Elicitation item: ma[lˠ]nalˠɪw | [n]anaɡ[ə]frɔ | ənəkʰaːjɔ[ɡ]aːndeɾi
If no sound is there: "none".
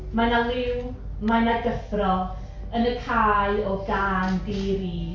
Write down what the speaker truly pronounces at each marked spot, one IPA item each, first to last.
none, m, ə, ɡ

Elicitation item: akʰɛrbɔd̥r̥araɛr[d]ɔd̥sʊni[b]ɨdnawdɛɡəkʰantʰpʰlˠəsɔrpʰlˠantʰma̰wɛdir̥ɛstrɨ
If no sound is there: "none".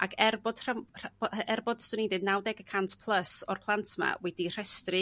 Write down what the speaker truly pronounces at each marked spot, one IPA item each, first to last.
b, d

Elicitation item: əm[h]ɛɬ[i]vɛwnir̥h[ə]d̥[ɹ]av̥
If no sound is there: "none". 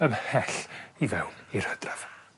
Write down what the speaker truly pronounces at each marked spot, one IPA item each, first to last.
h, i, ə, r

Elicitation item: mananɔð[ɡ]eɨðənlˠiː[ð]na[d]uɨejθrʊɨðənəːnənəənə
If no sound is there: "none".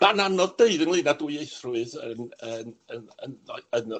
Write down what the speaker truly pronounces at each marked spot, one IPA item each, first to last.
d, none, d

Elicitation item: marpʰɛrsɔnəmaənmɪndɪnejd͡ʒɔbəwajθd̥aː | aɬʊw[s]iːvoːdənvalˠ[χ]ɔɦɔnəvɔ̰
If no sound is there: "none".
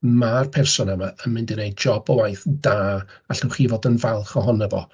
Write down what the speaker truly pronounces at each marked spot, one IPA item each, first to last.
χ, χ

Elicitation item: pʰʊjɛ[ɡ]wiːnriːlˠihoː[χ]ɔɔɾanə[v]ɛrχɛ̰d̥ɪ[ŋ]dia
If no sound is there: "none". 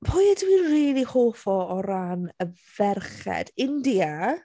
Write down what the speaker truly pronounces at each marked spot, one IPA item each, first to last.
d, f, v, n

